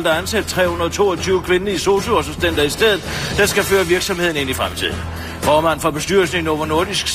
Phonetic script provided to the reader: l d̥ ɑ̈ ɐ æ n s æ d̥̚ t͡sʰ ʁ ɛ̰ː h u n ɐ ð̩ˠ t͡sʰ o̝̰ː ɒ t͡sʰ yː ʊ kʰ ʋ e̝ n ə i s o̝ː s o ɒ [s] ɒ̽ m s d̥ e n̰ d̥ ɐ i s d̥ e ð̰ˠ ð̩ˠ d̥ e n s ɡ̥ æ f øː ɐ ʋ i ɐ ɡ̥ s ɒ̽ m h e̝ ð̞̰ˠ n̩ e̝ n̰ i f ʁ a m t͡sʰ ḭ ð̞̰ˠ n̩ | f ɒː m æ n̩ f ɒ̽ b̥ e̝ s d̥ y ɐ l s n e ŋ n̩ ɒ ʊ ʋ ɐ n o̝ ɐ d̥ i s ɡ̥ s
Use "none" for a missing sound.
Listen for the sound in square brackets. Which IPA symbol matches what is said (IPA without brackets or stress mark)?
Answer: s